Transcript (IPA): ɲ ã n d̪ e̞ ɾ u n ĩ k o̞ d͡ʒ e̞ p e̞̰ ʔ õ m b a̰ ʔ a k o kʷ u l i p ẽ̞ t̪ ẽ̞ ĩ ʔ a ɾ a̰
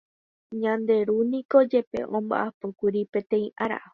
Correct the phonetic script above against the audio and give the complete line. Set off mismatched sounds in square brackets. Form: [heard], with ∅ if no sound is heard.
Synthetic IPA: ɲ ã n d̪ e̞ ɾ u n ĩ k o̞ d͡ʒ e̞ p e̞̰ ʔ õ m b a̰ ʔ a [p] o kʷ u [ɾ] i p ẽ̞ t̪ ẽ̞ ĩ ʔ a ɾ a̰